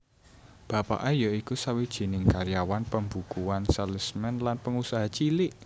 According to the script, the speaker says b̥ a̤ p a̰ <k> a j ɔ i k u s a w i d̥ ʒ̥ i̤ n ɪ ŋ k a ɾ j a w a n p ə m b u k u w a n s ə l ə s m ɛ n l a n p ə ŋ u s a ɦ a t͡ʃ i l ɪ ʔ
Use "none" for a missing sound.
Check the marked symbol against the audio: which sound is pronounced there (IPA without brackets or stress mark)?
ʔ